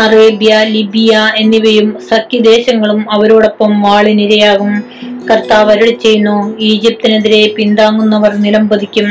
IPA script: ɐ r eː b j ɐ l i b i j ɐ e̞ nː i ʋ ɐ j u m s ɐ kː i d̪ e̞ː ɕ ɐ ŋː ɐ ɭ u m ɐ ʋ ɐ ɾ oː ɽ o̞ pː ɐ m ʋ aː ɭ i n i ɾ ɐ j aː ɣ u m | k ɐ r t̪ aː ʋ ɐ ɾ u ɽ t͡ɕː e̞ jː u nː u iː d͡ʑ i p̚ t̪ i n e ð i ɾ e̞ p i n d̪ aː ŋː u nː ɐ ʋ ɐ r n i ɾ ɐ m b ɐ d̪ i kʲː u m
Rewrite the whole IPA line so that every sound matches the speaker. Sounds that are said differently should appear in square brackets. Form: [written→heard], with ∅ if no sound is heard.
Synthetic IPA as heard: ɐ r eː b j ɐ l i b i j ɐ e̞ nː i ʋ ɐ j u m s ɐ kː i d̪ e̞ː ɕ ɐ ŋː ɐ ɭ u m ɐ ʋ ɐ ɾ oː ɽ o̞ pː ɐ m ʋ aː ɭ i n i ɾ ɐ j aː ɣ u m | k ɐ r t̪ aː ʋ ɐ ɾ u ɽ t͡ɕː e̞ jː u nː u iː d͡ʑ i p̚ t̪ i n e ð i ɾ e̞ p i n d̪ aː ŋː u nː ɐ ʋ ɐ r n i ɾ ɐ m b ɐ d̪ i kʲː u m